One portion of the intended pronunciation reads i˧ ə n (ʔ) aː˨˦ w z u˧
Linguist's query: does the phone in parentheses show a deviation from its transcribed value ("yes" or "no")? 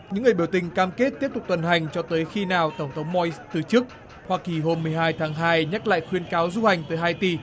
yes